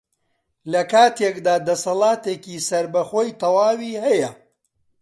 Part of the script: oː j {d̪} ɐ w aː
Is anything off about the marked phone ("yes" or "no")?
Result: yes